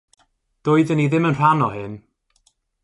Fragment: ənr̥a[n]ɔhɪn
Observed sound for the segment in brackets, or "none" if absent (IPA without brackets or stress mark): n